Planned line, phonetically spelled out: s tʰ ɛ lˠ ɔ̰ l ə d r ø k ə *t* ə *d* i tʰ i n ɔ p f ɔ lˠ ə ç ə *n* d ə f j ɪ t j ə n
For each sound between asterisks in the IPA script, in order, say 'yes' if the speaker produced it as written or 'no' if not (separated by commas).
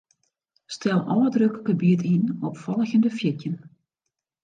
no, no, yes